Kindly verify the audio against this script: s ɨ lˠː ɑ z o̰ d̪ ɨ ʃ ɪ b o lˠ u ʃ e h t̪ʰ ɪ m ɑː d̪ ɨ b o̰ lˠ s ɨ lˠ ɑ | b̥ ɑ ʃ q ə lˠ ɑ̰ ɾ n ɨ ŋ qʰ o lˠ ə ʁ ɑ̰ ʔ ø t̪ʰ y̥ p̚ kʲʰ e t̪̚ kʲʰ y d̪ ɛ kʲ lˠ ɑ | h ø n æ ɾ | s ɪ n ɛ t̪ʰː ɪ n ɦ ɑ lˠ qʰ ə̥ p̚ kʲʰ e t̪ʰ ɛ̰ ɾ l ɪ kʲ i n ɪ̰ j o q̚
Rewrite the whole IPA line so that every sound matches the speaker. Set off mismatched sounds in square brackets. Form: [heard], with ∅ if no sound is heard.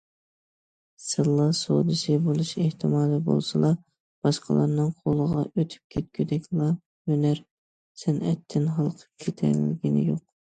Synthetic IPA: s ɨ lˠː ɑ [s] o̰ d̪ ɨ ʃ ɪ b o lˠ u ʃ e h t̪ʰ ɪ m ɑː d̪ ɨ b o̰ lˠ s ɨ lˠ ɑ | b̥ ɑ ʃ q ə lˠ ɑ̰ ɾ n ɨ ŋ qʰ o lˠ ə ʁ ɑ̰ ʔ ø t̪ʰ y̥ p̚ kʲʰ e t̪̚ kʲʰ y d̪ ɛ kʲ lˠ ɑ | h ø n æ ɾ | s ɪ n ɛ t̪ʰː ɪ n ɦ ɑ lˠ qʰ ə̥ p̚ kʲʰ e t̪ʰ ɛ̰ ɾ l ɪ [ɡʲ] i n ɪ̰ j o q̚